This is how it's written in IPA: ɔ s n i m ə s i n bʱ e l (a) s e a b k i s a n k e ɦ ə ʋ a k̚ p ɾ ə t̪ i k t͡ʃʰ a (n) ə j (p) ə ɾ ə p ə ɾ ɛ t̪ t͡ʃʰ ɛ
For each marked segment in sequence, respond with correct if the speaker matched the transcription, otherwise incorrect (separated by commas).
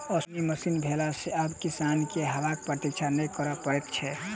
correct, correct, incorrect